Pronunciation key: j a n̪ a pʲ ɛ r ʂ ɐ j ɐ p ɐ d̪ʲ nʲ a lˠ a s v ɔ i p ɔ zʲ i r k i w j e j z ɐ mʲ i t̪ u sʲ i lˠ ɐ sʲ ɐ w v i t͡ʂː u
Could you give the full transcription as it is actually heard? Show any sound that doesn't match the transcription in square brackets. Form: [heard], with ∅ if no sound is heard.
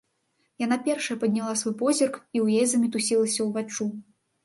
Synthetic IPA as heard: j a n̪ a pʲ ɛ r ʂ ɐ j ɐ p ɐ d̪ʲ nʲ a lˠ a s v ɔ [j] p ɔ zʲ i r k i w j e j z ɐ mʲ i t̪ u sʲ i lˠ ɐ sʲ ɐ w v [a] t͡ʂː u